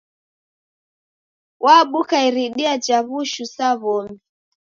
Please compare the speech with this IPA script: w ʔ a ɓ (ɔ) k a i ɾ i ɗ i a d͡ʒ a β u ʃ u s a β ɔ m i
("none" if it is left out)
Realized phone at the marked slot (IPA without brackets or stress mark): u